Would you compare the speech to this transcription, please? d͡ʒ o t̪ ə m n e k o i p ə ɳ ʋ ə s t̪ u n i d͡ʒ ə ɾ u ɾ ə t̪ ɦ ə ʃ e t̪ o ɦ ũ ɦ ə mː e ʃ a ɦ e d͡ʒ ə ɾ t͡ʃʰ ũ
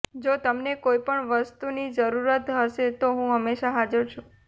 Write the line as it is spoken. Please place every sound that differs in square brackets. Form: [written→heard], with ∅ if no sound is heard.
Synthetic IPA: d͡ʒ o t̪ ə m n e k o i p ə ɳ ʋ ə s t̪ u n i d͡ʒ ə ɾ u ɾ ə t̪ ɦ ə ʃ e t̪ o ɦ ũ ɦ ə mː e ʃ a ɦ [e→a] d͡ʒ ə ɾ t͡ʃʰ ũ